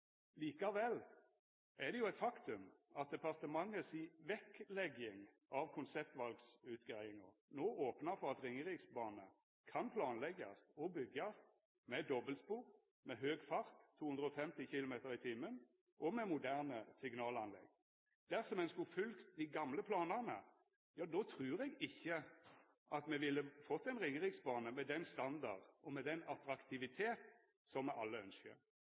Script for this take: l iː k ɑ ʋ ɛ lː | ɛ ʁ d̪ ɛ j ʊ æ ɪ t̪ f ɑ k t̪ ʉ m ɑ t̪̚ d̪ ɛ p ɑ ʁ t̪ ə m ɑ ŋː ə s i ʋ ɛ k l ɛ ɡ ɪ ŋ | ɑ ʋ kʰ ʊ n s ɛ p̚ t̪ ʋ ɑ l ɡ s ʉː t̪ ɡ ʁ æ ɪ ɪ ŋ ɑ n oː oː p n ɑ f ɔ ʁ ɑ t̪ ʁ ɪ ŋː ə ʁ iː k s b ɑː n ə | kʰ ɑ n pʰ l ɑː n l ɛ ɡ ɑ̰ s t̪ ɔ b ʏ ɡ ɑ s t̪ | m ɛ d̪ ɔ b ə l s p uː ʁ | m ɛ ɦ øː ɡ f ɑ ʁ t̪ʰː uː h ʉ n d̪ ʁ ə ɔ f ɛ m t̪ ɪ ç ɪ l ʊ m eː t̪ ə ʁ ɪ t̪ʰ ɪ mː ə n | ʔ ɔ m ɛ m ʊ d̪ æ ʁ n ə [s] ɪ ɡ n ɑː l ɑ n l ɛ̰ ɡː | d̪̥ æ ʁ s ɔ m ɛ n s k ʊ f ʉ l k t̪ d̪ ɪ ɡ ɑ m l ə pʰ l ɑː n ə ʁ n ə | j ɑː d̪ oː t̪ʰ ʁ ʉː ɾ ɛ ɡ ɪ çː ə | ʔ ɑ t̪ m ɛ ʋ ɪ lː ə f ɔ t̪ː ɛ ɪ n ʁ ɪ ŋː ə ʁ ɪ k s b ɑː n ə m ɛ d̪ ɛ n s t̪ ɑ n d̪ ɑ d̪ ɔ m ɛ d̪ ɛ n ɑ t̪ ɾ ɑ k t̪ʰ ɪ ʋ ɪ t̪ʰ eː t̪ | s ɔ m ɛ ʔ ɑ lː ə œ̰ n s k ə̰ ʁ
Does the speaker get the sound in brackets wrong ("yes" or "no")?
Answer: no